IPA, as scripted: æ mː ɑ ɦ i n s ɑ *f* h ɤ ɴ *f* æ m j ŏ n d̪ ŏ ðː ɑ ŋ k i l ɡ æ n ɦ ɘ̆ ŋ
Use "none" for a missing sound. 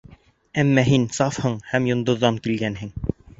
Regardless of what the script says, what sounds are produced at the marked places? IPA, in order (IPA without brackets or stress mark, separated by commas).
f, h